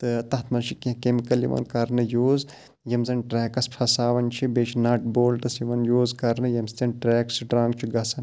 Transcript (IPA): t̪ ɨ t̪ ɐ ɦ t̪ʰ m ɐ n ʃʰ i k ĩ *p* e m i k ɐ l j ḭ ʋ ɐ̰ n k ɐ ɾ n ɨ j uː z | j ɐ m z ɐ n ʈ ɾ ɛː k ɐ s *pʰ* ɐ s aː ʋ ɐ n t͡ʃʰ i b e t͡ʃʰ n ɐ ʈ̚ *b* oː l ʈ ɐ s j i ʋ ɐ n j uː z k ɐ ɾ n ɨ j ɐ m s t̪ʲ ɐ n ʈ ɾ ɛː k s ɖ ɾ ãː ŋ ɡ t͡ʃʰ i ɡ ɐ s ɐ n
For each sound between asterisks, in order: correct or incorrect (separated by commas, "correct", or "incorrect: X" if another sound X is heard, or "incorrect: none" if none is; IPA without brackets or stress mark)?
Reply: incorrect: k, correct, correct